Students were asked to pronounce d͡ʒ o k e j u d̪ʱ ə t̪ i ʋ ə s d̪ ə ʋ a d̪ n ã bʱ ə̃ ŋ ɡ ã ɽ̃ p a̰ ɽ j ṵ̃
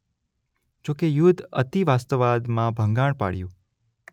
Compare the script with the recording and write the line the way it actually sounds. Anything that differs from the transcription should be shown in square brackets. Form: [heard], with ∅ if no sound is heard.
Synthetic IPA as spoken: d͡ʒ o k e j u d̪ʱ ə t̪ i ʋ [a] s [t̪] ə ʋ a d̪ [m] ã bʱ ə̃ ŋ ɡ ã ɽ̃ p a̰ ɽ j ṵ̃